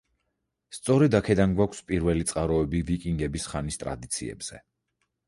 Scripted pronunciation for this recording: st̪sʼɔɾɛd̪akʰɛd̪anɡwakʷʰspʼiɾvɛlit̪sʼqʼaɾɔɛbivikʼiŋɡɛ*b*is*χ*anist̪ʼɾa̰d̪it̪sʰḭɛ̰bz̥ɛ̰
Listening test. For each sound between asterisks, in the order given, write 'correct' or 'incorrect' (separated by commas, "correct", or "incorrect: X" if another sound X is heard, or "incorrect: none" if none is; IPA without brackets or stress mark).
correct, correct